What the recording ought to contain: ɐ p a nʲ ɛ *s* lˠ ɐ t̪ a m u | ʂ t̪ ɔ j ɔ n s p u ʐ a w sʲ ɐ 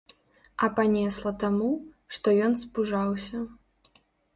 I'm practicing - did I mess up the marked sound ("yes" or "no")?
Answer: no